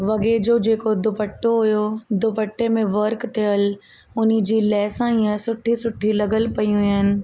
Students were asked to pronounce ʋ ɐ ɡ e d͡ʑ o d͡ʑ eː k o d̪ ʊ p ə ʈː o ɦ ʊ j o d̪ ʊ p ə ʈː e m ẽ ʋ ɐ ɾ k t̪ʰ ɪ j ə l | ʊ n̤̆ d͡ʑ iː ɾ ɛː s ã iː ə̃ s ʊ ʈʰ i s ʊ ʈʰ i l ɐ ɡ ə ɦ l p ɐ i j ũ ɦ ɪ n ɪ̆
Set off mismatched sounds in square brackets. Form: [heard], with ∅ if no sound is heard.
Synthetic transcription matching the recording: ʋ ɐ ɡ e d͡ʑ o d͡ʑ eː k o d̪ ʊ p ə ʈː o ɦ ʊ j o d̪ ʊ p ə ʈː e m ẽ ʋ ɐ ɾ k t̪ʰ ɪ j ə l | ʊ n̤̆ d͡ʑ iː [l] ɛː s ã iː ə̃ s ʊ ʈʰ i s ʊ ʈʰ i l ɐ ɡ ə [∅] l p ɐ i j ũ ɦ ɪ n ɪ̆